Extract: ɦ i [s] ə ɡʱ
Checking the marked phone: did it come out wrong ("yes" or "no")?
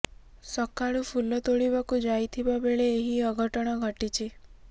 yes